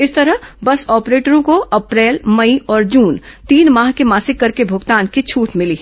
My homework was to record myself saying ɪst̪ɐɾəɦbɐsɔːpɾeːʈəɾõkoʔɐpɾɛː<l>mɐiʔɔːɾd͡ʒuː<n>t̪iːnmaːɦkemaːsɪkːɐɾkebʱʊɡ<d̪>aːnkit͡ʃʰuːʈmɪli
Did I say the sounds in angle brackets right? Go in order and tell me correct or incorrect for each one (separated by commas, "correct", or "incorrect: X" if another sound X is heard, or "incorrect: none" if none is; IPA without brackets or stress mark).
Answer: correct, correct, incorrect: t̪